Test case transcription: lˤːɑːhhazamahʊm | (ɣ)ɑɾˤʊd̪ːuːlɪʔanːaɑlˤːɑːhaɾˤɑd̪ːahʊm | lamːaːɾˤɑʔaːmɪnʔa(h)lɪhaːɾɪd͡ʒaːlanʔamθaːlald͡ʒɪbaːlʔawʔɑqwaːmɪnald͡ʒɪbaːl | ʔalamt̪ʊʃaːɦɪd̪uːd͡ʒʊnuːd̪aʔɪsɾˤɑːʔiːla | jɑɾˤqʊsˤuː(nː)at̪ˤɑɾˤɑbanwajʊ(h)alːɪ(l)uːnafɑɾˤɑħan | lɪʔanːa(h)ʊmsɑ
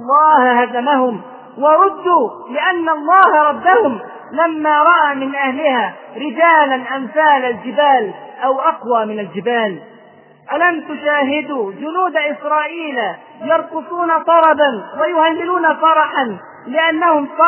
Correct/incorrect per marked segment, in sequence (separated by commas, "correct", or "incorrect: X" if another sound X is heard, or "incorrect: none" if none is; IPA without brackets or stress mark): incorrect: w, correct, incorrect: n, correct, correct, correct